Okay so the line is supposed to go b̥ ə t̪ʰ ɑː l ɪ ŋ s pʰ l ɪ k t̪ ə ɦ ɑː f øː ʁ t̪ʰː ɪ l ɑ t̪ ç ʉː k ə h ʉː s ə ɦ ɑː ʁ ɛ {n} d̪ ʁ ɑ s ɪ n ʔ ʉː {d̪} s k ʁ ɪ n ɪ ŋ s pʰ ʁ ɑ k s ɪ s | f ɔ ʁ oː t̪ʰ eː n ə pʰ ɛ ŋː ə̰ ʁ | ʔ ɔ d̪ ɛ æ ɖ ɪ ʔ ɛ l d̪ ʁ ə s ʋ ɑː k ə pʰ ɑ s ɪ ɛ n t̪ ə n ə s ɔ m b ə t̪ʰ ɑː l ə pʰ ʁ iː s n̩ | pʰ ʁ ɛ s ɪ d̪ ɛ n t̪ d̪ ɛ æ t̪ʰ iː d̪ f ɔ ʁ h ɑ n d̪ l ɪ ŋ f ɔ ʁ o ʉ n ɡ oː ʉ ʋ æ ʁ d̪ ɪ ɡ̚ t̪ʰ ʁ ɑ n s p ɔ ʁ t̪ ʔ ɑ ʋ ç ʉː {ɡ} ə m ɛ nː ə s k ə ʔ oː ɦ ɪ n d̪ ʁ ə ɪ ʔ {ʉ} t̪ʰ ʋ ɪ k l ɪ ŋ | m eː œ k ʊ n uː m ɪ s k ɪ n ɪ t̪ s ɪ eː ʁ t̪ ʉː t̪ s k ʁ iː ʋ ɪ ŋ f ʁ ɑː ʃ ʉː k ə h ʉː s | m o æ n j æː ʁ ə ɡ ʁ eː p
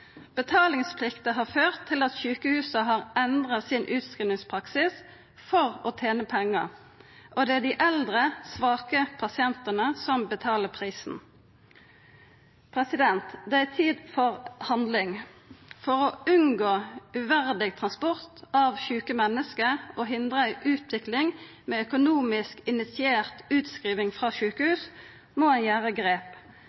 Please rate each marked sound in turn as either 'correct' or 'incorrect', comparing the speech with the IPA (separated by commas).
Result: correct, incorrect, incorrect, incorrect